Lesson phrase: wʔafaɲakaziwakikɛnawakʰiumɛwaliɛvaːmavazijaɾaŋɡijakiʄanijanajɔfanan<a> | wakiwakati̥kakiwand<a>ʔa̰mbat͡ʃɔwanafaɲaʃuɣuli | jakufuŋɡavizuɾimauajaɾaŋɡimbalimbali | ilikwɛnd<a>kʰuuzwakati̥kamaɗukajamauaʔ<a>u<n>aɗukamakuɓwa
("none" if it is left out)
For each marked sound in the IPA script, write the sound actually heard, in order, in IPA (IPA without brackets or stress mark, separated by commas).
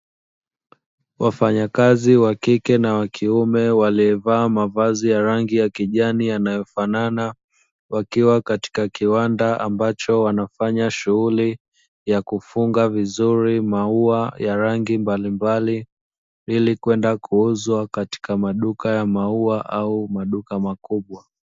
a, a, a, a, m